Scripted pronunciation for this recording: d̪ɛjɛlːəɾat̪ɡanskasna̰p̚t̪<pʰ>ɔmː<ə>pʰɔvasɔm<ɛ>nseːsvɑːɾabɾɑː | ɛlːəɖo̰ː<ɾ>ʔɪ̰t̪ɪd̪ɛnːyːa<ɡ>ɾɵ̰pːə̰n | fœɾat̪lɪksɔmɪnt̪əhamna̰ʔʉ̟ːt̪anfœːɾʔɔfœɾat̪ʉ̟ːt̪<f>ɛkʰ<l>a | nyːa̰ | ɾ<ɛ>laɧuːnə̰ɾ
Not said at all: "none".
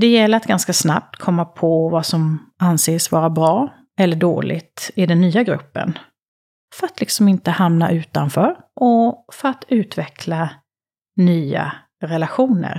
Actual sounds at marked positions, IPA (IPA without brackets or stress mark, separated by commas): kʰ, a, a, l, ɡ, v, l, ɛ